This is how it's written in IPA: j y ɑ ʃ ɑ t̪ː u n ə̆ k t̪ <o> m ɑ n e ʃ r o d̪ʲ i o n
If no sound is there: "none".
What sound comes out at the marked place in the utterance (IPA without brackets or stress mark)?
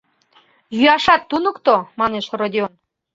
o